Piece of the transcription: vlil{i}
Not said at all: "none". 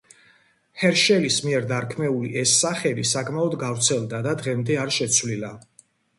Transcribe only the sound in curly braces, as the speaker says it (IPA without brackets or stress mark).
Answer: a